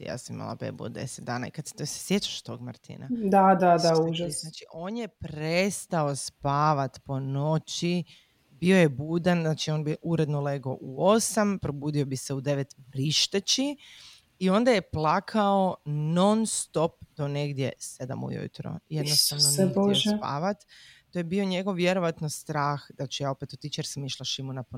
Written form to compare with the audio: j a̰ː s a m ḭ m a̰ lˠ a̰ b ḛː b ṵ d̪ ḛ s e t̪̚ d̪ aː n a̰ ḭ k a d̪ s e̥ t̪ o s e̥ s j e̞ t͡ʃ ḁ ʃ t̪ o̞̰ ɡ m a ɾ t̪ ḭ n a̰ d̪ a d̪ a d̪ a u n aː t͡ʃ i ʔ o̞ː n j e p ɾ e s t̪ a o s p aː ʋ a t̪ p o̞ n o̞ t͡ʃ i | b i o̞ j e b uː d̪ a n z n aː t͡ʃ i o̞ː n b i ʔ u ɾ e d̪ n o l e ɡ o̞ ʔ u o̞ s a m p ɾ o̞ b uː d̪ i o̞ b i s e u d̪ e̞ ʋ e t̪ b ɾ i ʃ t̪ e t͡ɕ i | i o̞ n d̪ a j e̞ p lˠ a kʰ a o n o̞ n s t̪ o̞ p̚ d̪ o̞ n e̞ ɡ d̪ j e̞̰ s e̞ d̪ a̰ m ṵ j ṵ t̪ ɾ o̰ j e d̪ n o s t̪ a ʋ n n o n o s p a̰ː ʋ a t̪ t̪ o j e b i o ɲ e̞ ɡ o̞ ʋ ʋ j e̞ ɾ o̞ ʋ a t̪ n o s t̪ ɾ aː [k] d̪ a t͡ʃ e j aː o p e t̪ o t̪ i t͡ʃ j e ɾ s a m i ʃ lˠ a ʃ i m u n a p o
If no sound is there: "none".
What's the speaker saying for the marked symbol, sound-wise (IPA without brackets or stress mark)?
x